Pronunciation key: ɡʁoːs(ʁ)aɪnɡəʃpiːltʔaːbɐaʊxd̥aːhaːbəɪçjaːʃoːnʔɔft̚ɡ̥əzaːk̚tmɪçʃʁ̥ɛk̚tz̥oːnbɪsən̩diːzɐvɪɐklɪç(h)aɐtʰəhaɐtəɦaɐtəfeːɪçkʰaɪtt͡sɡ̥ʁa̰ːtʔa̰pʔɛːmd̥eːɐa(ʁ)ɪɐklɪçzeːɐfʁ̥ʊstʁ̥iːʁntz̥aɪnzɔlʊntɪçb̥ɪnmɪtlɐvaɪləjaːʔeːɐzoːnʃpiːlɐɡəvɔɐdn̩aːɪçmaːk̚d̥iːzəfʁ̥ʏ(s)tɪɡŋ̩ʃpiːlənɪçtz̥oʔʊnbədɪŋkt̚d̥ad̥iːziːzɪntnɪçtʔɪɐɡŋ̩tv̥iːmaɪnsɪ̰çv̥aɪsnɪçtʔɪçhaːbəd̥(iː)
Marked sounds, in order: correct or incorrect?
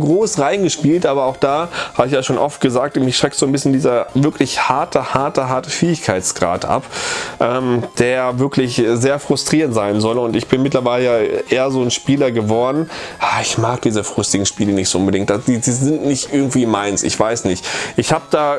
correct, correct, incorrect: v, correct, incorrect: aː

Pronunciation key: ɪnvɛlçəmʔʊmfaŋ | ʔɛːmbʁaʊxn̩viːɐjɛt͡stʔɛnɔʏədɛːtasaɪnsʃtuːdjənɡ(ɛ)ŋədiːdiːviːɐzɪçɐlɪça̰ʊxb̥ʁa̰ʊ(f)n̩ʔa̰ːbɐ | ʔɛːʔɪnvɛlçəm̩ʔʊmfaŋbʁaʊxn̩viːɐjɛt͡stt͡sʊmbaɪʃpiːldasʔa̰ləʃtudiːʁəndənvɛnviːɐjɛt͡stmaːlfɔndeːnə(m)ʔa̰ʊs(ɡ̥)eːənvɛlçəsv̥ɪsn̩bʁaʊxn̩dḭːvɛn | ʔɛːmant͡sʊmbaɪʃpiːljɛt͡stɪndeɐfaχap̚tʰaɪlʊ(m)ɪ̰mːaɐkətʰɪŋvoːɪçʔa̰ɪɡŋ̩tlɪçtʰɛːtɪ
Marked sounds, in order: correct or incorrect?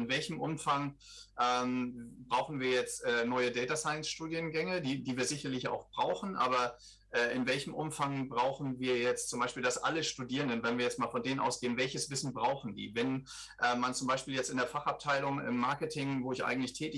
correct, incorrect: x, incorrect: n, correct, incorrect: ŋ

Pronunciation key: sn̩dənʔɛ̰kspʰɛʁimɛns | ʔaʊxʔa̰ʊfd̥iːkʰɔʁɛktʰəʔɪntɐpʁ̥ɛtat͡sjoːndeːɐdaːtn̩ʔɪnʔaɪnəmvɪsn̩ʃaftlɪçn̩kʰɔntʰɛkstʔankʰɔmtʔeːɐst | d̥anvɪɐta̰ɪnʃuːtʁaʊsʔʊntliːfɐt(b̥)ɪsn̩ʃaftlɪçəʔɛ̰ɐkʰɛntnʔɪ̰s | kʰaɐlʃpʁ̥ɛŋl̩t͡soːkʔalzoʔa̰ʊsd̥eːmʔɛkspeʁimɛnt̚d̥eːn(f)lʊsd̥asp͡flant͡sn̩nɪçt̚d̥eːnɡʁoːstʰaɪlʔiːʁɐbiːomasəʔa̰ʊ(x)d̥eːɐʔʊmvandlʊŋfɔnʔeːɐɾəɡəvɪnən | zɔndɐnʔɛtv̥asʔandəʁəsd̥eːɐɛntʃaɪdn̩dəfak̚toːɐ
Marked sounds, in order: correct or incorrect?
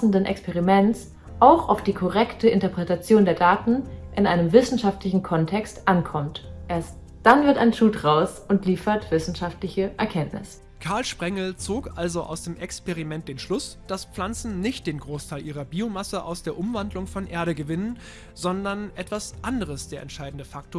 incorrect: v̥, incorrect: ʃ, incorrect: s

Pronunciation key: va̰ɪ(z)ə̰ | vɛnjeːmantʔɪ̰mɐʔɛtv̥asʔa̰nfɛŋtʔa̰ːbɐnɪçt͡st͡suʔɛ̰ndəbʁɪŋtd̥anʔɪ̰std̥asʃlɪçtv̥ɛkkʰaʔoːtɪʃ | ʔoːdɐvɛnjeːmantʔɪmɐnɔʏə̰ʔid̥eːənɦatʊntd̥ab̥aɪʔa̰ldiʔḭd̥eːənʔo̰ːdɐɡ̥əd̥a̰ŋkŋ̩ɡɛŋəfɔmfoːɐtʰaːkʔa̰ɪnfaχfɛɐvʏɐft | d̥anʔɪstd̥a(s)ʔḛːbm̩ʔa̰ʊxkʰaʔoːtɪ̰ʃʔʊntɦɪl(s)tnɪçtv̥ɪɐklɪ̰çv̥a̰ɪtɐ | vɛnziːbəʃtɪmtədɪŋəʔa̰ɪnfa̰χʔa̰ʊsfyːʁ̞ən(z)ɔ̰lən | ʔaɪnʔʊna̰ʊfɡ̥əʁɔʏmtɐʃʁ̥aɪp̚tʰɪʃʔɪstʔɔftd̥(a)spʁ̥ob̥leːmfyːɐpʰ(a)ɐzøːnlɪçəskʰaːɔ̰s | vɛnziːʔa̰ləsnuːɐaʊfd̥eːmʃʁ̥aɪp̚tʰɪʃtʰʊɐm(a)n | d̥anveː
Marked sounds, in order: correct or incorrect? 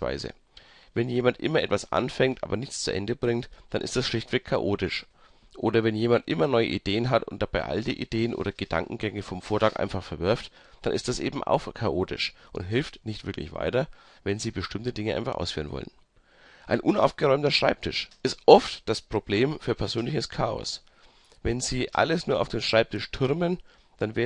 correct, correct, incorrect: f, incorrect: v, correct, incorrect: ɛ, incorrect: ə

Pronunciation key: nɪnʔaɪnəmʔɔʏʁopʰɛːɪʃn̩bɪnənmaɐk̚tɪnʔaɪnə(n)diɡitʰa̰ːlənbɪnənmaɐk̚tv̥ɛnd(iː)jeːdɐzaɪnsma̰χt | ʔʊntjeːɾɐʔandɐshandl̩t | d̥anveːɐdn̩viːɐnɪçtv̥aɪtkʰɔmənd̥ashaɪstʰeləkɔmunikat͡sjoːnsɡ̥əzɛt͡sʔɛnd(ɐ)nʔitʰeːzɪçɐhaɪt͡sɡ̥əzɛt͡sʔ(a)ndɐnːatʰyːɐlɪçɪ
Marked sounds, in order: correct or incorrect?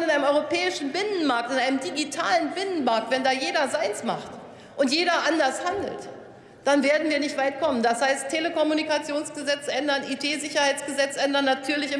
incorrect: m, incorrect: aː, correct, incorrect: ɛ

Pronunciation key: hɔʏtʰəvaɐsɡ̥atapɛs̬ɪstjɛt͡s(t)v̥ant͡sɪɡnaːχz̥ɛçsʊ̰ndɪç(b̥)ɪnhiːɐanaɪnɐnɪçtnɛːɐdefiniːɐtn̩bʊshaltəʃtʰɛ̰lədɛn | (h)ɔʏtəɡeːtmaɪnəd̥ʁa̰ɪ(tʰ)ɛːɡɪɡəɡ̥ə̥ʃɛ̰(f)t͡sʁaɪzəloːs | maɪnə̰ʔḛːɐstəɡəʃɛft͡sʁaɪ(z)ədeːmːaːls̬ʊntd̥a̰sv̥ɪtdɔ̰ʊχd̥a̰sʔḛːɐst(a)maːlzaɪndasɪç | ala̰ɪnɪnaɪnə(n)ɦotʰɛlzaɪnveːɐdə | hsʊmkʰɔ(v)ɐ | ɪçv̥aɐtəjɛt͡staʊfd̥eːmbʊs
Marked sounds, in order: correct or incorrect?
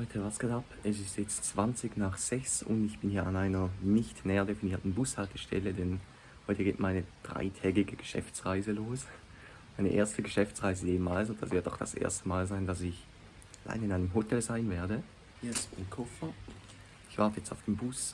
incorrect: t͡s, correct, correct, correct, correct, correct, incorrect: ə, incorrect: m, incorrect: f

